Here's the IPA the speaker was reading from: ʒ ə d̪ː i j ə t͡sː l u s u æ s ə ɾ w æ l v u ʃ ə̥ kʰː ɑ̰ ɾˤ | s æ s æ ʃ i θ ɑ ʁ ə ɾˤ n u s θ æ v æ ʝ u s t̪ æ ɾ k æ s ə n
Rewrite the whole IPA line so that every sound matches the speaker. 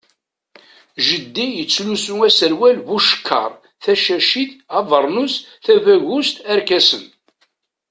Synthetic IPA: ʒ ə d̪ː i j ə t͡sː l u s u æ s ə ɾ w æ l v u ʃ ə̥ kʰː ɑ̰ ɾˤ | θ æ ʃ æ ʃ i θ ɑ v ə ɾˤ n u s θ æ v æ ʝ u s t̪ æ ɾ k æ s ə n

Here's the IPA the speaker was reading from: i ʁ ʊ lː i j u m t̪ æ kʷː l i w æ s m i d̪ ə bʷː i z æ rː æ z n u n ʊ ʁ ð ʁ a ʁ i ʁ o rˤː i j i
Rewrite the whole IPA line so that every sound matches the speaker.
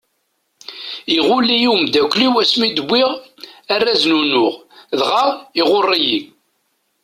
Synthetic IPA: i ʁ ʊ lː i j u m d̪ æ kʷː l i w æ s m i d̪ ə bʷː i ʁ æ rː æ z n u n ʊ ʁ ð ʁ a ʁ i ʁ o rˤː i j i

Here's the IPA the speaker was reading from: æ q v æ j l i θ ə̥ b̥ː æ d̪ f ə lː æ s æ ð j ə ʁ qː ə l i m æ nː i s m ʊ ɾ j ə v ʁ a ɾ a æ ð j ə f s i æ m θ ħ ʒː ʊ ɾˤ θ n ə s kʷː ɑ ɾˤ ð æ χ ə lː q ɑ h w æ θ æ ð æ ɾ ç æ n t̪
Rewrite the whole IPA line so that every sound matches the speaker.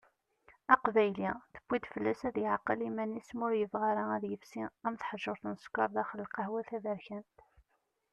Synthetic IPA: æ q v æ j l i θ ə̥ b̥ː i d̪ f ə lː æ s æ ð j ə ʕ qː ə l i m æ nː i s m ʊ ɾ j ə v ʁ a ɾ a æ ð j ə f s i æ m θ ħ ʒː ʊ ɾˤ θ n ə s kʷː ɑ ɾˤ ð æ χ ə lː q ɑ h w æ θ æ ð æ ɾ ç æ n t̪

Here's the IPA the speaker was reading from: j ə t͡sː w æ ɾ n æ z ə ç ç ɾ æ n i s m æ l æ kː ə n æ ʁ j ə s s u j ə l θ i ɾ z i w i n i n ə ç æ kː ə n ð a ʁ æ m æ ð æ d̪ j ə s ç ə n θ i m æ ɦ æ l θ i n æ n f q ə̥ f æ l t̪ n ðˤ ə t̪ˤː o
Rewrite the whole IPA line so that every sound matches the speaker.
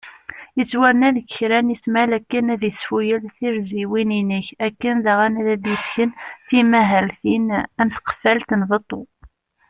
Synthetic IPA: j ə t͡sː w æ ɾ n æ ð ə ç ç ɾ æ n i s m æ l æ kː ə n æ ð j ə s f u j ə l θ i ɾ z i w i n i n ə ç æ kː ə n ð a ʁ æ n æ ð æ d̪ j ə s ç ə n θ i m æ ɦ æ l θ i n æ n θ q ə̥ f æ l t̪ n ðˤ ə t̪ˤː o

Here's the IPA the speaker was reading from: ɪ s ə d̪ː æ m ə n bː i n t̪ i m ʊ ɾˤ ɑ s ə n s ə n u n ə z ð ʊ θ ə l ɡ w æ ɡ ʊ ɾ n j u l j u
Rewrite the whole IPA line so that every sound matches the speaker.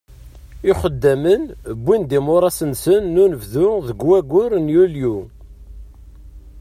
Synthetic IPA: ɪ χ ə d̪ː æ m ə n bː i n d̪ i m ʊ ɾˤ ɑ s ə n s ə nː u n ə v ð ʊ ð ə ɡ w æ ɡ ʊ ɾ n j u l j u

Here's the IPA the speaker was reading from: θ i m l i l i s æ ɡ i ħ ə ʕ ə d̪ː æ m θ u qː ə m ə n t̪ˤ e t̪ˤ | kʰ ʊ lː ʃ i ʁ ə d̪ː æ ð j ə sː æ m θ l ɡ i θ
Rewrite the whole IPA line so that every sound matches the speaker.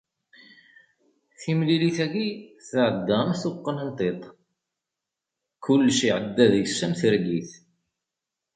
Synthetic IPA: θ i m l i l i θ æ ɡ i θ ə ʕ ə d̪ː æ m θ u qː ə n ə n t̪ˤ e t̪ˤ | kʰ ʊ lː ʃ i ʕ ə d̪ː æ ð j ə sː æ m θ ɾ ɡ i θ

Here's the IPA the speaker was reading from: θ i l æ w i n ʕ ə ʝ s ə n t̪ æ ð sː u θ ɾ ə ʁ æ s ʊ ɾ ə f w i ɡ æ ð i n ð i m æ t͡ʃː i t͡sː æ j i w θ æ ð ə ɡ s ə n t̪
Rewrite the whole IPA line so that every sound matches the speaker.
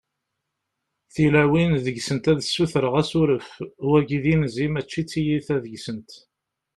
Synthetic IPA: θ i l æ w i n ð ə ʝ s ə n t̪ æ ð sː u θ ɾ ə ʁ æ s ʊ ɾ ə f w æ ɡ i ð i n z i m æ t͡ʃː i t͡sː i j i θ æ ð ə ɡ s ə n t̪

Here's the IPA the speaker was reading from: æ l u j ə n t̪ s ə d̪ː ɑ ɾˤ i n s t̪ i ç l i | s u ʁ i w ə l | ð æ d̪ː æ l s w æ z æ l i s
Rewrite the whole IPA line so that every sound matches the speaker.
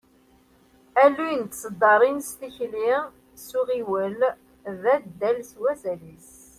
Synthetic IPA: æ l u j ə n t̪ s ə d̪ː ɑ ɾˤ i n s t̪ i ç l i | s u ʁ i w ə l | ð æ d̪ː æ l s w æ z æ l i s

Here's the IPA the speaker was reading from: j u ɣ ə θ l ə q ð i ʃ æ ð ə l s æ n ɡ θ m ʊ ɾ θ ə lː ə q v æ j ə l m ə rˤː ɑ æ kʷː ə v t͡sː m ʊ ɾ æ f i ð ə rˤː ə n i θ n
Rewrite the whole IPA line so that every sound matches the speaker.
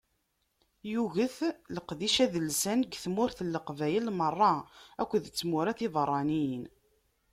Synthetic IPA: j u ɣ ə θ l ə q ð i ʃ æ ð ə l s æ n ɡ θ m ʊ ɾ θ ə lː ə q v æ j ə l m ə rˤː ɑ æ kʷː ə ð t͡sː m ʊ ɾ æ θ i ð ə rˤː ɑ n i n

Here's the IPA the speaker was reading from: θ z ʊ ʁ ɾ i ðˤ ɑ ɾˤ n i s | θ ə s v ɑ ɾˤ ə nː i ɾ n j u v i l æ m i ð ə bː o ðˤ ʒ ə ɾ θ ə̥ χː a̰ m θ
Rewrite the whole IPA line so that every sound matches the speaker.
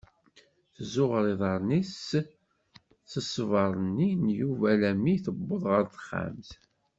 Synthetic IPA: θ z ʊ ʁ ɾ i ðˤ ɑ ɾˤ n i s | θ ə s v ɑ ɾˤ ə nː i n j u v æ l æ m i θ ə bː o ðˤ ʁ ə ɾ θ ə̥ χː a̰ m θ

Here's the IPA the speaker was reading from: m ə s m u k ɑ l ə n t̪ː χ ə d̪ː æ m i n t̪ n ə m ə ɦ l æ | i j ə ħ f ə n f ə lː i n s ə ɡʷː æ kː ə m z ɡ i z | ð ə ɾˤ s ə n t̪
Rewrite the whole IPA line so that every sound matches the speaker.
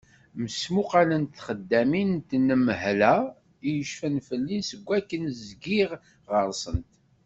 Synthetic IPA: m ə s m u q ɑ l ə n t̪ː χ ə d̪ː æ m i n t̪ n ə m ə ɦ l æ | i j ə ʃ f ə n f ə lː i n s ə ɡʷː æ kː ə n z ɡ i ʁ | ʁ ə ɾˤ s ə n t̪

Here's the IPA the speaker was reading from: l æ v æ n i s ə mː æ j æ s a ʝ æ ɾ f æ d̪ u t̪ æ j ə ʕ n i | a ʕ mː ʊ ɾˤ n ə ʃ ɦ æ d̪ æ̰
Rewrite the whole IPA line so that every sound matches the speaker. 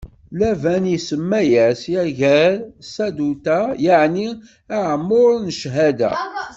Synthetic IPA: l æ v æ n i s ə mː æ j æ s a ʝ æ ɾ s æ d̪ u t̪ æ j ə ʕ n i | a ʕ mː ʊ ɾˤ n ə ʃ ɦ æ d̪ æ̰

